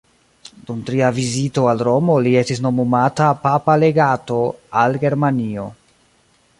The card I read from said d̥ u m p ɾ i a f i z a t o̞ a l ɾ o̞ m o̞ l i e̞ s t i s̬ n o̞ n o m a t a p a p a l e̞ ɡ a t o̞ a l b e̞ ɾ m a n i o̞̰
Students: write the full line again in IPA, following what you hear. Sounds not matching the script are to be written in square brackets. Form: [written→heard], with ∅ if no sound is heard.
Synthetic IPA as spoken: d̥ u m [p→t] ɾ i a [f→v] i z [a→i] t o̞ a l ɾ o̞ m o̞ l i e̞ s t i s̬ n o̞ [n→m] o m a t a p a p a l e̞ ɡ a t o̞ a l [b→ɡ] e̞ ɾ m a n i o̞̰